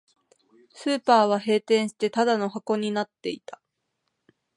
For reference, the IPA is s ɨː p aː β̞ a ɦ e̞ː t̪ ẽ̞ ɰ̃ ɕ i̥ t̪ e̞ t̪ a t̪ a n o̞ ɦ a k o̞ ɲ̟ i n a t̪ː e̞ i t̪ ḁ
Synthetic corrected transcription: s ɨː p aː β̞ a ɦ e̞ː t̪ ẽ̞ ɰ̃ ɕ i̥ t̪ e̞ t̪ a d̪ a n o̞ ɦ a k o̞ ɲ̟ i n a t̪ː e̞ i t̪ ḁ

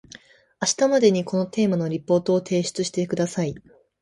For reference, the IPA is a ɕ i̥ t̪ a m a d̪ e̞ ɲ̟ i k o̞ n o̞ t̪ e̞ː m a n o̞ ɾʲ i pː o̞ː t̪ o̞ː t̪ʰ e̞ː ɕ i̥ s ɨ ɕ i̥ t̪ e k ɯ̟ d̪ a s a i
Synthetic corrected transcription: a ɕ i̥ t̪ a m a d̪ e̞ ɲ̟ i k o̞ n o̞ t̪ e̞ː m a n o̞ ɾʲ i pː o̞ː t̪ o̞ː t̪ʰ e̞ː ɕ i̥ t͡s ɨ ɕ i̥ t̪ e k ɯ̟ d̪ a s a i

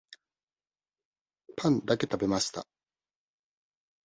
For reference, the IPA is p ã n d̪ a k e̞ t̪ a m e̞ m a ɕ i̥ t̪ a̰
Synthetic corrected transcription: p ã n d̪ a k e̞ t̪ a b e̞ m a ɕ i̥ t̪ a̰

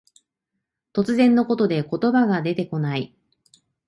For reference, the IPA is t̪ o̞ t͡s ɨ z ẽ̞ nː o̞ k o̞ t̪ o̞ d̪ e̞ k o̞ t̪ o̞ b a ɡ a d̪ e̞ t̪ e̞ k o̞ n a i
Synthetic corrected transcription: t̪ o̞ t͡s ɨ z ẽ̞ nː o̞ k o̞ t̪ o̞ d̪ e̞ k o̞ t̪ o̞ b a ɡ a d̪ e̞ t̪ e̞ k o̞ n a i

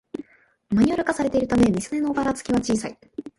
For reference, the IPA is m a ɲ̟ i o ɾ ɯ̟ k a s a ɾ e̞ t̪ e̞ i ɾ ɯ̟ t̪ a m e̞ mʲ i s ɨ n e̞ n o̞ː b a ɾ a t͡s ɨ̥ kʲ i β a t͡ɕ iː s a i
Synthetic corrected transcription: m a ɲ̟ i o ɾ ɯ̟ k a s a ɾ e̞ t̪ e̞ i ɾ ɯ̟ t̪ a m e̞ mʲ i s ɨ n e̞ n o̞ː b a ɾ a t͡s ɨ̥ kʲ i β a t͡ɕ iː s a i

